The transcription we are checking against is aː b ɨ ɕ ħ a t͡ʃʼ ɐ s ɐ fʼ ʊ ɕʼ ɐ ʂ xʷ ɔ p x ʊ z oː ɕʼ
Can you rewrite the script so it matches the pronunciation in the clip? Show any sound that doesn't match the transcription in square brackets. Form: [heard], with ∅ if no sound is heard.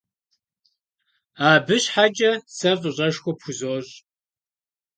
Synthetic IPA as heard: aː b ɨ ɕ ħ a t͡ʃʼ ɐ s ɐ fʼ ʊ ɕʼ ɐ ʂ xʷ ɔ p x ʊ z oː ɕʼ